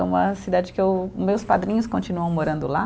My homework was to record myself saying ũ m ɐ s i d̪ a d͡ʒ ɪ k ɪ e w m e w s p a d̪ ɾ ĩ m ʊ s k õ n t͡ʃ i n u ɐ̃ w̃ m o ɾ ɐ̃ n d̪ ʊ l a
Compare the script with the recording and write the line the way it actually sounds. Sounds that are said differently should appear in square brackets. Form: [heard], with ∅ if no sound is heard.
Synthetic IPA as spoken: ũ m ɐ s i d̪ a d͡ʒ ɪ k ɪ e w m e w s p a d̪ ɾ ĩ [ɲ] ʊ s k õ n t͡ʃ i n u ɐ̃ w̃ m o ɾ ɐ̃ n d̪ ʊ l a